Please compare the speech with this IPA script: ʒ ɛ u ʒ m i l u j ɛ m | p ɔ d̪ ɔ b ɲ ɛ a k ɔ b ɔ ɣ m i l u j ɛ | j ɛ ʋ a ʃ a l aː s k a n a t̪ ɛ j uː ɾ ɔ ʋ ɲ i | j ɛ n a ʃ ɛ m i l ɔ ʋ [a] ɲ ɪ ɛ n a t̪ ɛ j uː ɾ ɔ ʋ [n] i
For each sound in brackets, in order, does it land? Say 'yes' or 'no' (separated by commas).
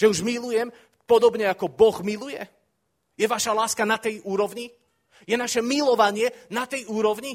yes, no